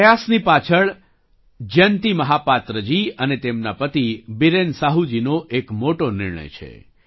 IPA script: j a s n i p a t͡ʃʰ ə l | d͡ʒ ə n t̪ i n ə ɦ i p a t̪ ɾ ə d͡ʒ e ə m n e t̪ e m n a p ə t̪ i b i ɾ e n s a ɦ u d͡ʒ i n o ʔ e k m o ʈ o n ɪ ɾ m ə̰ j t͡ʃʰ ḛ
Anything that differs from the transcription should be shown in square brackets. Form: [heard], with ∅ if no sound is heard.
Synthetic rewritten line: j a s n i p a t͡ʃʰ ə [ɭ] | d͡ʒ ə n t̪ i [m] ə ɦ [a] p a t̪ ɾ ə d͡ʒ [i] ə [∅] n e t̪ e m n a p ə t̪ i b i ɾ e n s a ɦ u d͡ʒ i n o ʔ e k m o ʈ o n ɪ ɾ [ɳ] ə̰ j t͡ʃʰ ḛ